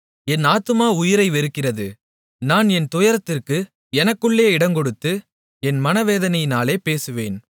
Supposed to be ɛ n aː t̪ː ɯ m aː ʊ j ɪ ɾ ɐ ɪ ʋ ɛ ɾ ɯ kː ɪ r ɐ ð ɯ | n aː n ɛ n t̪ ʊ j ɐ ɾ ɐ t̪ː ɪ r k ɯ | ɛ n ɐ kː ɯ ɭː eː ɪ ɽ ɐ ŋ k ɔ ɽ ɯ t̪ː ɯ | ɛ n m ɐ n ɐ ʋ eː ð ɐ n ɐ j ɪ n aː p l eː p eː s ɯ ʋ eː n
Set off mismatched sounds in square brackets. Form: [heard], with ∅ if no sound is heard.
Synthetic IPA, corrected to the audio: ɛ n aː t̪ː ɯ m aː ʊ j ɪ ɾ ɐ ɪ ʋ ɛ ɾ ɯ kː ɪ r ɐ ð ɯ | n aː n ɛ n t̪ ʊ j ɐ ɾ ɐ t̪ː ɪ r k ɯ | ɛ n ɐ kː ɯ ɭː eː ɪ ɽ ɐ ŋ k ɔ ɽ ɯ t̪ː ɯ | ɛ n m ɐ n ɐ ʋ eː ð ɐ n ɐ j ɪ n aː [∅] l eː p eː s ɯ ʋ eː n